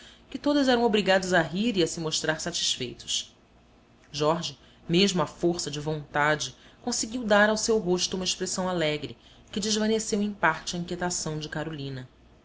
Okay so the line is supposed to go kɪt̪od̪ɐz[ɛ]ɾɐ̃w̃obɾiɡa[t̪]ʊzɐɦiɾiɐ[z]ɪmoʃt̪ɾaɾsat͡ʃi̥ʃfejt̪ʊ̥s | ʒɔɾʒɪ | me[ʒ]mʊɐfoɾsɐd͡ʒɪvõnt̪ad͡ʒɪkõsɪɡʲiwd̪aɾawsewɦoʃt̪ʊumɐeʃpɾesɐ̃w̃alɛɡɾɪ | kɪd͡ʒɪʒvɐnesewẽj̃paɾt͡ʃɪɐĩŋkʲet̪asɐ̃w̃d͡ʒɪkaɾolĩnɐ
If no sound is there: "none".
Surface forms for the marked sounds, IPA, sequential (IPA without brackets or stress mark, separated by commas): ɛ, d̪, s, ʒ